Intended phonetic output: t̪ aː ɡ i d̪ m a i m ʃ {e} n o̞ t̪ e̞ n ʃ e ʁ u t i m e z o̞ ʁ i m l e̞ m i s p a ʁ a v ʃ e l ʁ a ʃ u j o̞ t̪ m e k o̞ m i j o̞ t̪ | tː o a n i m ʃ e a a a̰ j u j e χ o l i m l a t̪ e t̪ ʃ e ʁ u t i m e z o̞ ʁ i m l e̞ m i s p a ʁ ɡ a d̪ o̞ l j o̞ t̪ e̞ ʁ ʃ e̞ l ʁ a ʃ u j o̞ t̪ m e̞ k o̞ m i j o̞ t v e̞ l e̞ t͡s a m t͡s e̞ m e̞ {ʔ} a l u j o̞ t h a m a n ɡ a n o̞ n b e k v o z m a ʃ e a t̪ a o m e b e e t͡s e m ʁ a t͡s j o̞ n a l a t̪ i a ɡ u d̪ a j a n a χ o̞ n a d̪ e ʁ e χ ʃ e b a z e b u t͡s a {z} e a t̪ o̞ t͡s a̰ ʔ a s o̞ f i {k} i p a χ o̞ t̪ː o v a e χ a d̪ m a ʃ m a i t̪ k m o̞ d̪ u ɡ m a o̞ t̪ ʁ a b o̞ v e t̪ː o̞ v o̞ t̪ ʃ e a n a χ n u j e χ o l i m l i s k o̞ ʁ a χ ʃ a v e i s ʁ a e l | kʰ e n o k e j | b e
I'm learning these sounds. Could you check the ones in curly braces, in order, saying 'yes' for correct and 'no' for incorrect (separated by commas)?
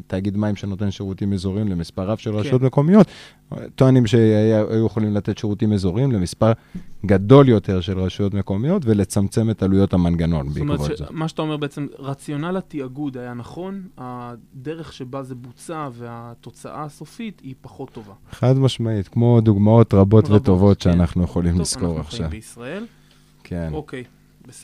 yes, no, no, no